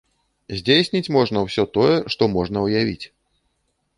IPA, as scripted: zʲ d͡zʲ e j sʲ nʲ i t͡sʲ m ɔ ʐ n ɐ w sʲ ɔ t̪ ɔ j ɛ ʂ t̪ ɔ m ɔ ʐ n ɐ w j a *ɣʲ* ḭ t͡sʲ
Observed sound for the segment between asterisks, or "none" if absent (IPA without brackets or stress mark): vʲ